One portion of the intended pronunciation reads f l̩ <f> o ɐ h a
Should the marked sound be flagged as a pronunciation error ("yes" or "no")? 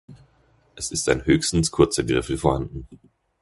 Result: no